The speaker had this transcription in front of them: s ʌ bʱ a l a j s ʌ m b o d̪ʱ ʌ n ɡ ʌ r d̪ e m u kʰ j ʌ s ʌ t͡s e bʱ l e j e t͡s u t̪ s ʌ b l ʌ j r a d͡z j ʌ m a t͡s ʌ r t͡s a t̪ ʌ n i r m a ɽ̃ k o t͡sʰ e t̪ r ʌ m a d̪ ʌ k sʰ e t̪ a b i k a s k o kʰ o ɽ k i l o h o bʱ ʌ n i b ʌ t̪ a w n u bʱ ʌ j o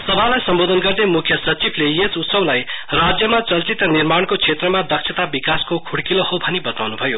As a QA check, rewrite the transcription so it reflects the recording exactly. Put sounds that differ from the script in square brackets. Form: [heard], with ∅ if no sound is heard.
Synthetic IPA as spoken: s ʌ bʱ a l a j s ʌ m b o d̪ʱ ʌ n ɡ ʌ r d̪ e m u kʰ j ʌ s ʌ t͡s [i] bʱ l e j e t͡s u t̪ s ʌ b l [a] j r a d͡z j ʌ m a t͡s ʌ [l] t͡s [i] t̪ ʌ n i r m a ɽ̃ k o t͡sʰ e t̪ r ʌ m a d̪ ʌ k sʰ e t̪ a b i k a s k o kʰ [u] ɽ k i l o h o bʱ ʌ n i b ʌ t̪ a w n u bʱ ʌ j o

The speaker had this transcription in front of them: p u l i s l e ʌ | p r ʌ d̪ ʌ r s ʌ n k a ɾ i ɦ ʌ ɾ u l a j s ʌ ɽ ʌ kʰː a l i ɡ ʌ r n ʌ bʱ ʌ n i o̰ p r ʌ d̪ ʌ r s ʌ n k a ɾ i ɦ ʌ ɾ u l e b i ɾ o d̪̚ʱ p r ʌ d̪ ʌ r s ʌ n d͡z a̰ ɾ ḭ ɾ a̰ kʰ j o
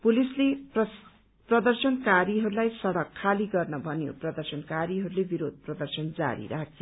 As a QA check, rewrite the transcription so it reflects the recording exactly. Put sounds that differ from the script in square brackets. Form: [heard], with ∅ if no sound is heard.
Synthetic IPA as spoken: p u l i s l e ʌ | p r ʌ d̪ ʌ r s ʌ n k a ɾ i ɦ ʌ ɾ u l a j s ʌ ɽ ʌ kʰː a l i ɡ ʌ r n ʌ bʱ ʌ n [j] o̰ p r ʌ d̪ ʌ r s ʌ n k a ɾ i ɦ ʌ ɾ u l e b i ɾ o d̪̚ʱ p r ʌ d̪ ʌ r s ʌ n d͡z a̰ ɾ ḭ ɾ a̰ kʰ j o

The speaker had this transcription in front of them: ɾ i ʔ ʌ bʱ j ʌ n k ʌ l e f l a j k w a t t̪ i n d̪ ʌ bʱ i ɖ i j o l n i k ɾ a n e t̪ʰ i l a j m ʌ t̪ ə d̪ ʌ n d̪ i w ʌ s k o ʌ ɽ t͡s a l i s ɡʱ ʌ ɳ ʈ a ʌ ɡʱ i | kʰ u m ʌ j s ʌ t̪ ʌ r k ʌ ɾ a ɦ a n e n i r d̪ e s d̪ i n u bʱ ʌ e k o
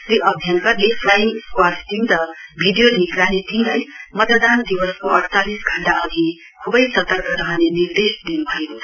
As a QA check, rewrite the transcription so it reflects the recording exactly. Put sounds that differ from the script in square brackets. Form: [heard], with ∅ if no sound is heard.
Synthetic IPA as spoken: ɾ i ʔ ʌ bʱ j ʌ n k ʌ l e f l a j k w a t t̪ i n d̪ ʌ bʱ i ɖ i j o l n i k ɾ a n e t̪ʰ i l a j m ʌ t̪ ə d̪ [a] n d̪ i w ʌ s k o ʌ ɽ t͡s a l i s ɡʱ ʌ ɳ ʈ a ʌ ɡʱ i | kʰ u [b] ʌ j s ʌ t̪ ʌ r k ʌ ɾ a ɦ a n e n i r d̪ e s d̪ i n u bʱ ʌ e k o

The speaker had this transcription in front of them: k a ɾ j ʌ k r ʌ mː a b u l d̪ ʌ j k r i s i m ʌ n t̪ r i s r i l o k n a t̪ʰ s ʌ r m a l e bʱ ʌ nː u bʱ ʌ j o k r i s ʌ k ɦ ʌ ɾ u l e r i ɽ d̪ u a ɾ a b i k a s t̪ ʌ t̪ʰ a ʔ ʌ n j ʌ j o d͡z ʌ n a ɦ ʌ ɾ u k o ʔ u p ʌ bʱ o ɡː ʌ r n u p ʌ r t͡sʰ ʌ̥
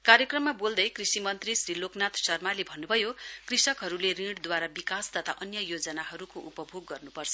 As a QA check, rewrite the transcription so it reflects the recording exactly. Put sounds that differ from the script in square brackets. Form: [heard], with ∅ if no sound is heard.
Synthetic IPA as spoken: k a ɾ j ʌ k r ʌ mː a b [o] l d̪ ʌ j k r i s i m ʌ n t̪ r i s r i l o k n a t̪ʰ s ʌ r m a l e bʱ ʌ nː u bʱ ʌ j o k r i s ʌ k ɦ ʌ ɾ u l e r i ɽ d̪ [w] a ɾ a b i k a s t̪ ʌ t̪ʰ a ʔ ʌ n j ʌ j o d͡z ʌ n a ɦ ʌ ɾ u k o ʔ u p ʌ bʱ o ɡː ʌ r n u p ʌ r t͡sʰ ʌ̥

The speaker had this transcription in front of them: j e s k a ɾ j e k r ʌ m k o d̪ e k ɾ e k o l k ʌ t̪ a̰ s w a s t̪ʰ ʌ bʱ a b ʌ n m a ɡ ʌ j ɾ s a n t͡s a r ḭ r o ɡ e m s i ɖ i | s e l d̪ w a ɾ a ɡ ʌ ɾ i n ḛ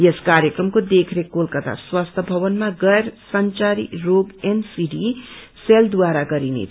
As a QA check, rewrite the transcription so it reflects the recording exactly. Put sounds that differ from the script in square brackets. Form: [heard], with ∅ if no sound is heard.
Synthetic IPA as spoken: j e s k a ɾ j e k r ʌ m k o d̪ e [kʰ] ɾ e k o l k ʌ t̪ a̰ s w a s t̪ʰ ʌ bʱ [ʌ] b ʌ n m a ɡ ʌ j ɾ s [ʌ] n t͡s a [ɾ] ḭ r o ɡ e [n] s i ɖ i | s e l d̪ w a ɾ a ɡ ʌ ɾ i n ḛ

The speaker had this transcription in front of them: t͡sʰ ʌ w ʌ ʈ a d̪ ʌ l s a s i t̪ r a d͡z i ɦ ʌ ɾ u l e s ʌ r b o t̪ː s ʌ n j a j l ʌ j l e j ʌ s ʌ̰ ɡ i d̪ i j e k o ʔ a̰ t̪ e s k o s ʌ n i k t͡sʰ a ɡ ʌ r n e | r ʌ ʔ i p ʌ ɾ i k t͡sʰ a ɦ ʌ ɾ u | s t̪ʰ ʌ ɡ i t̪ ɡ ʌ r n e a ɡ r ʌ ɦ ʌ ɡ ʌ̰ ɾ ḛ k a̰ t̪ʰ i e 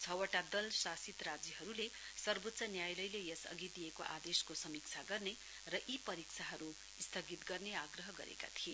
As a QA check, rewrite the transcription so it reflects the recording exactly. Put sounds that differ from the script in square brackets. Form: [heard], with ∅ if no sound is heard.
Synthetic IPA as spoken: t͡sʰ ʌ w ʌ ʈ a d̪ ʌ l s a s i t̪ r a d͡z i ɦ ʌ ɾ u l e s ʌ r b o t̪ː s ʌ n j a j l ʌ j l e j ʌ s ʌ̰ ɡ i d̪ i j e k o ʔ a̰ [d̪] e s k o s ʌ [m] i k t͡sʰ a ɡ ʌ r n e | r ʌ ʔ i p ʌ ɾ i k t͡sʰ a ɦ ʌ ɾ u | s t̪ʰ ʌ ɡ i t̪ ɡ ʌ r n e a ɡ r ʌ ɦ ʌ ɡ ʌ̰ ɾ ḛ k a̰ t̪ʰ i e

